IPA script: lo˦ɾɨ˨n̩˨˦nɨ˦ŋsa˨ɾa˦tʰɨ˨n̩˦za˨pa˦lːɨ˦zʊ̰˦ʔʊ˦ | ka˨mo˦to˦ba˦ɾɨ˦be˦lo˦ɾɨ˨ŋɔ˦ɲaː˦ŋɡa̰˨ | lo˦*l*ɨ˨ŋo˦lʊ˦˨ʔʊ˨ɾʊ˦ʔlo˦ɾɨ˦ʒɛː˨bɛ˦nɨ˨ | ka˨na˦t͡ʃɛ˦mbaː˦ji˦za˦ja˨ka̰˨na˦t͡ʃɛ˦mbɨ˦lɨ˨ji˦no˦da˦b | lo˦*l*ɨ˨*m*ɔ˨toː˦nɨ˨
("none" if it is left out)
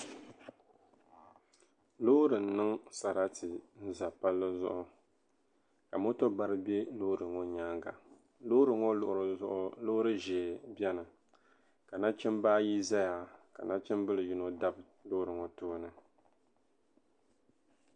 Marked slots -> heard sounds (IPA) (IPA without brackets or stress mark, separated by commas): ɾ, ɾ, ŋ